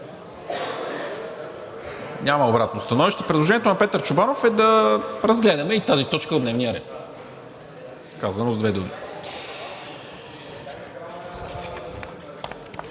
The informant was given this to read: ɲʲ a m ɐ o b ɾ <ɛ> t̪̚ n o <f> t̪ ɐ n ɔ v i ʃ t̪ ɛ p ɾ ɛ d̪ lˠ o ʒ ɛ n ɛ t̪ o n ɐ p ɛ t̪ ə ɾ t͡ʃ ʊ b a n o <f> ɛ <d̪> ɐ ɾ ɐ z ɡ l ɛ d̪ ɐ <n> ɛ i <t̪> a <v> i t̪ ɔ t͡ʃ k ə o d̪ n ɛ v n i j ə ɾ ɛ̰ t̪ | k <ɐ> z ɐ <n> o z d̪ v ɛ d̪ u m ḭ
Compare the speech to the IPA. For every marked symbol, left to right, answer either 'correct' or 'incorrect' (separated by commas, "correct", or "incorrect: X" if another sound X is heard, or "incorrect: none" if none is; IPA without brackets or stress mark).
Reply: incorrect: a, incorrect: s, correct, correct, incorrect: m, correct, incorrect: z, incorrect: a, correct